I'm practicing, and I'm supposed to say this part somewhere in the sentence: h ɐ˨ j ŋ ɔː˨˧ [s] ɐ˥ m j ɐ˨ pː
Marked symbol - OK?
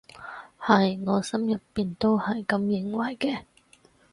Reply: yes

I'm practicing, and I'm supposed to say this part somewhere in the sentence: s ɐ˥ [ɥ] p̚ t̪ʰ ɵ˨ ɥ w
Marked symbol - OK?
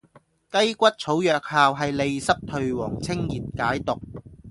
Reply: no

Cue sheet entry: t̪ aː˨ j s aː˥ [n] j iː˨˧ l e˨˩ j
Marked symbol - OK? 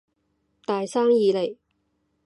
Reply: no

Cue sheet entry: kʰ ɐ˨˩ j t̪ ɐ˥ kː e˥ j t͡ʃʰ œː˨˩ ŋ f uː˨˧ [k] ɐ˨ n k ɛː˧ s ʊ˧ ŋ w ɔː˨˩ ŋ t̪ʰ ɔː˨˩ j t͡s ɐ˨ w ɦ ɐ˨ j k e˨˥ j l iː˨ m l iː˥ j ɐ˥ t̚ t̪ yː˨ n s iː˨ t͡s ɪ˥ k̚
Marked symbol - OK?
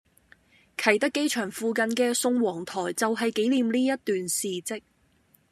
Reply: yes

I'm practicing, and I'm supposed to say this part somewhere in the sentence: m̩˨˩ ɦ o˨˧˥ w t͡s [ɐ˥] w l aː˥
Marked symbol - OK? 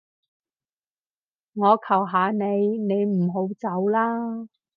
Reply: no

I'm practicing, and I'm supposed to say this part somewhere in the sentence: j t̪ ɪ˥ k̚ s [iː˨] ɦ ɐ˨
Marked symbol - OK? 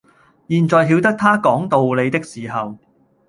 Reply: yes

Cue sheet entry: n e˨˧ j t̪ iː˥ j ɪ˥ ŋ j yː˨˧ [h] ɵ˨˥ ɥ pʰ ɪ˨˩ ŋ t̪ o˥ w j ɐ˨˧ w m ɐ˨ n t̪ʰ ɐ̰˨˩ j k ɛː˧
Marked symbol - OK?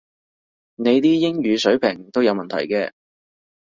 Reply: no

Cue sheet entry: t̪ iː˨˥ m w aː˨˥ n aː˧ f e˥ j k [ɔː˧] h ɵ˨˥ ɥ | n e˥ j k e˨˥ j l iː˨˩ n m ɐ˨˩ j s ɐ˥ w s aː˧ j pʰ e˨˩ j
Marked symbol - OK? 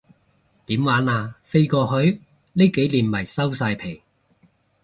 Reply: yes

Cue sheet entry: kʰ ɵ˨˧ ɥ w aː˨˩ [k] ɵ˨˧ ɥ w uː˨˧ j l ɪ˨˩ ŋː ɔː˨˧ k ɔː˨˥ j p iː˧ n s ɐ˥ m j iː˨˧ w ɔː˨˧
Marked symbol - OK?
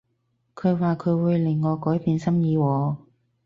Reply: no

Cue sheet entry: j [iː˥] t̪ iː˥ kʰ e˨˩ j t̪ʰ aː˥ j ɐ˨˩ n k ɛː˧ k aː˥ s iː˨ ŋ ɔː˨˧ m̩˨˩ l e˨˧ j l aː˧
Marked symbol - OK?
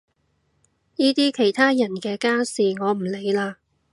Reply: yes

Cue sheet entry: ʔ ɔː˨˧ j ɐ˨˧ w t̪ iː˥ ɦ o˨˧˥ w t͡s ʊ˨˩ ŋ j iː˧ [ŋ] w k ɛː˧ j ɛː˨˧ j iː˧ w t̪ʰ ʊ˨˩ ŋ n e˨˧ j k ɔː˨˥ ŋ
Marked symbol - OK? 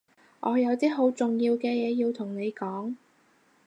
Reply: no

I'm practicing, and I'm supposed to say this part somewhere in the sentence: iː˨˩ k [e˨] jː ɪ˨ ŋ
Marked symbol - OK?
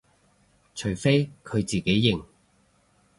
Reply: no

